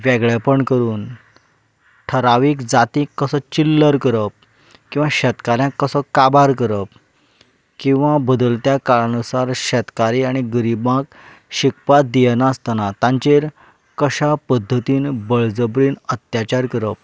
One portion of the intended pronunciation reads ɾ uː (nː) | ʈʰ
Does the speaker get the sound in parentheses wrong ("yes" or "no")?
yes